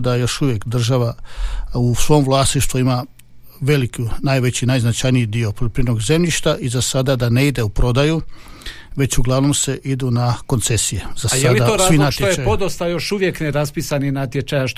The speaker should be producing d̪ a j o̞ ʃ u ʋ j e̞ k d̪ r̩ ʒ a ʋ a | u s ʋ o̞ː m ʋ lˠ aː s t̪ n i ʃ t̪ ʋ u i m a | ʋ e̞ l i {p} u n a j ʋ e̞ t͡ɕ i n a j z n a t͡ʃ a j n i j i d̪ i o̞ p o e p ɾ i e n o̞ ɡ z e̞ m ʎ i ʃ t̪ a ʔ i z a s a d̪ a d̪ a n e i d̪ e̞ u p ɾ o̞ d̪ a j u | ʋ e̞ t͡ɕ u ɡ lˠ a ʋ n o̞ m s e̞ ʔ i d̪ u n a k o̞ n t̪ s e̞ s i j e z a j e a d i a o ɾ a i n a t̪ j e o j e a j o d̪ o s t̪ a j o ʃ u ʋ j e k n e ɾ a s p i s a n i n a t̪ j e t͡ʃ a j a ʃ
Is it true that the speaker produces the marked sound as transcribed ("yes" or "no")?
no